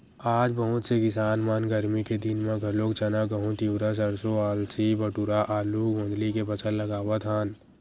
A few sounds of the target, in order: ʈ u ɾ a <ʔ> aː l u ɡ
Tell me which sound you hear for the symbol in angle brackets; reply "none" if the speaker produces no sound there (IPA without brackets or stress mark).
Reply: ʔ